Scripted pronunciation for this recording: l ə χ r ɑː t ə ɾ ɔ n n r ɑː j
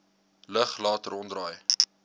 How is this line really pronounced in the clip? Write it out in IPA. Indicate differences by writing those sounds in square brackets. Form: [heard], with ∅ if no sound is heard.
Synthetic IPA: l ə χ [l] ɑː t ə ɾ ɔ n [d] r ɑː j